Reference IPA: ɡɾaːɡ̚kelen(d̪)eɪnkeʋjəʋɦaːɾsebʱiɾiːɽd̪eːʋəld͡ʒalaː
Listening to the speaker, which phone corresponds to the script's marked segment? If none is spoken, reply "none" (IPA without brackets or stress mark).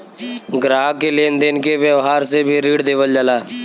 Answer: d̪